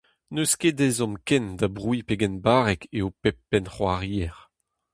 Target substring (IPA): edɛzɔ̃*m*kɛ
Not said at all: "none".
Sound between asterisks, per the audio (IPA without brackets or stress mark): m